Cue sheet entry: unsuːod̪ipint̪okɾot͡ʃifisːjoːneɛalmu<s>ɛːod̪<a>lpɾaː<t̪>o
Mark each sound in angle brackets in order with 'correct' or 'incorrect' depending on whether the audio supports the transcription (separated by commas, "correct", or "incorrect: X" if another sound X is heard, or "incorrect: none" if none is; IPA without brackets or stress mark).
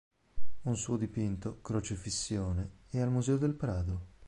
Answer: incorrect: z, incorrect: e, incorrect: d̪